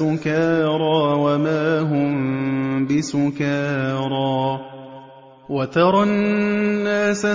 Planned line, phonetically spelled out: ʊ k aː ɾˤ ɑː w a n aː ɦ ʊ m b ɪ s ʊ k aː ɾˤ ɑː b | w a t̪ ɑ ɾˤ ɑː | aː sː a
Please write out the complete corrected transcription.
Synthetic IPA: ʊ k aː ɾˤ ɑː w a m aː ɦ ʊ m b ɪ s ʊ k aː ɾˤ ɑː | w a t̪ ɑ ɾˤ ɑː | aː s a